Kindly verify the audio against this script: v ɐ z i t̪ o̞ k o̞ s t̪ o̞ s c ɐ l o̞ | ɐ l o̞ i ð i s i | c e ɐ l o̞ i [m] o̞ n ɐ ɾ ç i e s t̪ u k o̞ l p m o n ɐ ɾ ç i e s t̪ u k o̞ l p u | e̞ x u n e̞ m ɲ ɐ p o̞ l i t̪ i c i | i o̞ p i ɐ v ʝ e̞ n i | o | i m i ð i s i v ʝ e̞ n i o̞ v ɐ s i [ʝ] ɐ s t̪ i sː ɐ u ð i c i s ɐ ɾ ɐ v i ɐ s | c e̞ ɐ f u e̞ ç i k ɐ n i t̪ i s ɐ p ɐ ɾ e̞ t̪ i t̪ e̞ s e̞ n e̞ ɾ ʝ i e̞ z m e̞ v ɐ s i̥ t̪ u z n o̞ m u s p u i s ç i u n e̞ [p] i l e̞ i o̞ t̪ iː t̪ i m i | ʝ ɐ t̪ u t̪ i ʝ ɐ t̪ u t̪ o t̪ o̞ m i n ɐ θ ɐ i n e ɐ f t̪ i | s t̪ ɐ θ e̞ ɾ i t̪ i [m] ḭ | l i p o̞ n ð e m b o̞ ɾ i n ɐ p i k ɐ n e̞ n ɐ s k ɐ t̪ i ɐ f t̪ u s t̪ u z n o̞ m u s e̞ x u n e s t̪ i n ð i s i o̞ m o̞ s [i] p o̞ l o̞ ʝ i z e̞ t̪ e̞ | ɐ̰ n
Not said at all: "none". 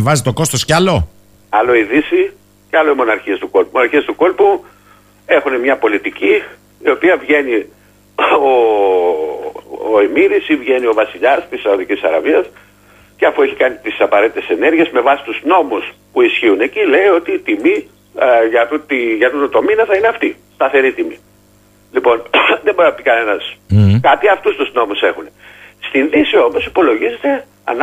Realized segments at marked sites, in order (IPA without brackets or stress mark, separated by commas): m, ʎ, c, m, i